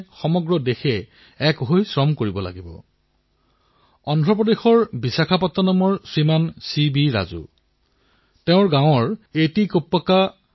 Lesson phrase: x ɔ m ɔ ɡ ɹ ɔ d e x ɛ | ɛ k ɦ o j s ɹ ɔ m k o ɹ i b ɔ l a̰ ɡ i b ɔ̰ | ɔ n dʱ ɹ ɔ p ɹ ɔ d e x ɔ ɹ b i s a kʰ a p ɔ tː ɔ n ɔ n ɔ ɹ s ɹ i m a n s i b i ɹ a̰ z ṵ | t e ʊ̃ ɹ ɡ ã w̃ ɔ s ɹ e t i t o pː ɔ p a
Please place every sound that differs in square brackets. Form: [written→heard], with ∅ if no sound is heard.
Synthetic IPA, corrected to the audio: x ɔ m ɔ ɡ ɹ ɔ d e x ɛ | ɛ k ɦ o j s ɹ ɔ m k o ɹ i b ɔ l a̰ ɡ i b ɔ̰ | ɔ n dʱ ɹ ɔ p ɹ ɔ d e x ɔ ɹ b i s a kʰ a p ɔ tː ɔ n ɔ [n→m] ɔ ɹ s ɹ i m a n s i b i ɹ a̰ z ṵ | t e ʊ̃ ɹ ɡ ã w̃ ɔ [s→∅] ɹ e t i [t→k] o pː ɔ [p→k] a